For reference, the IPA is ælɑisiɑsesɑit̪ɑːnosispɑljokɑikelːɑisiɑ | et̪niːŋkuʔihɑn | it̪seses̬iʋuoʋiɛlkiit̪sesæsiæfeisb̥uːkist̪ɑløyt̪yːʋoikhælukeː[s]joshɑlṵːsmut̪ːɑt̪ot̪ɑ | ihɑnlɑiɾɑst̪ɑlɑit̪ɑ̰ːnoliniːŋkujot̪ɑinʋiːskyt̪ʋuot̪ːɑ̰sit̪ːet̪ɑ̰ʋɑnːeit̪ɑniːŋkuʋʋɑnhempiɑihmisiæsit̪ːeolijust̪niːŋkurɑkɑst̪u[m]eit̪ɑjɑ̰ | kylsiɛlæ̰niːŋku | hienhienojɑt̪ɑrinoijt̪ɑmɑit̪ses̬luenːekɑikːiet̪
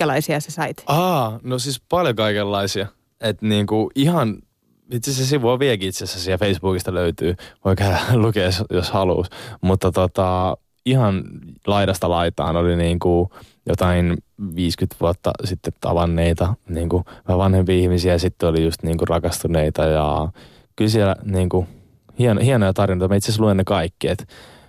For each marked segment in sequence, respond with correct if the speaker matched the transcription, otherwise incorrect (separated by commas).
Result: correct, incorrect